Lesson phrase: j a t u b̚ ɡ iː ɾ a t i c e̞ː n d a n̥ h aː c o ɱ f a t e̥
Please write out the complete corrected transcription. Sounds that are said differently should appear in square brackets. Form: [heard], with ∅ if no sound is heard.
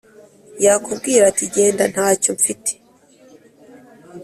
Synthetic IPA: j a [k] u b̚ ɡ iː ɾ a t i [ɟ] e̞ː n d a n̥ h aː c o ɱ f [i] t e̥